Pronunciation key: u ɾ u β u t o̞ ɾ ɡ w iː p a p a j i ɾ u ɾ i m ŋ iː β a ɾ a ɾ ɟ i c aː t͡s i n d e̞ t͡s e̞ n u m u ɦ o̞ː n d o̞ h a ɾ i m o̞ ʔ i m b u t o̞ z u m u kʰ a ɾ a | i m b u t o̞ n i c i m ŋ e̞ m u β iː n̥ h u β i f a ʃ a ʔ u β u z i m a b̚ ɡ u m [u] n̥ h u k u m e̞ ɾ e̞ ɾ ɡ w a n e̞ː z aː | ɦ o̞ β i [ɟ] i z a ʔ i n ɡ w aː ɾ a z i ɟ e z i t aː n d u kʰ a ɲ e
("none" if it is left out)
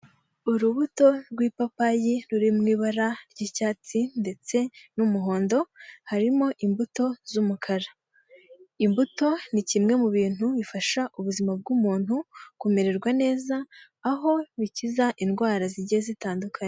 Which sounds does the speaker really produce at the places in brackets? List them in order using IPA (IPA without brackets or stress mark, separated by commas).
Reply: uː, c